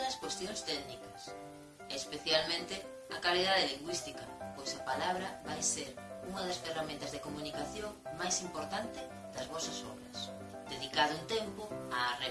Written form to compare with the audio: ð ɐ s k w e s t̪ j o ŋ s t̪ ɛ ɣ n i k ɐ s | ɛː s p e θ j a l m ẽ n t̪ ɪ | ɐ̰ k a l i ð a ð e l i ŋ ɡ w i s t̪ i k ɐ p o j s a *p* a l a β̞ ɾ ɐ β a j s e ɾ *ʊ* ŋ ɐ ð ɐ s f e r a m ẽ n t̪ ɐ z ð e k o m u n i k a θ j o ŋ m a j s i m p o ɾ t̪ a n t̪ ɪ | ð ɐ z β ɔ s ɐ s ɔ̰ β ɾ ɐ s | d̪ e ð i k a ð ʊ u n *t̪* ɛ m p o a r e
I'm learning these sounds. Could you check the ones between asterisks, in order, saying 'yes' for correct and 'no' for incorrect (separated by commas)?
yes, no, yes